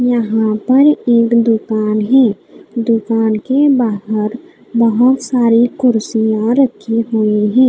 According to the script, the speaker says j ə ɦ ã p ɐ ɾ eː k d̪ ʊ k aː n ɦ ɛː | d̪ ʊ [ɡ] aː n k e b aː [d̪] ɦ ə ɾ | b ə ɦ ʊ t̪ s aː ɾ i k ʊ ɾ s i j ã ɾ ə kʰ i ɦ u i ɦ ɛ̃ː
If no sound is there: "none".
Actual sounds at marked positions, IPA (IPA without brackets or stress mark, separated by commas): k, none